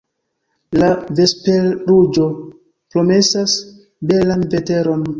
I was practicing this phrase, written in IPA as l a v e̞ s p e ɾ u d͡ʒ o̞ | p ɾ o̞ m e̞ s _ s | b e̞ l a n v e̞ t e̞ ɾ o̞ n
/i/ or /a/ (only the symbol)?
a